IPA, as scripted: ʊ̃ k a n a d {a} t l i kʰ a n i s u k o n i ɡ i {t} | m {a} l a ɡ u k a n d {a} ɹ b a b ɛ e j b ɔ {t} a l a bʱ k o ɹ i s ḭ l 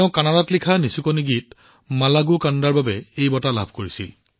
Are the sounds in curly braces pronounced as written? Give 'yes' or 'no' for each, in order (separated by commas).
yes, yes, yes, yes, yes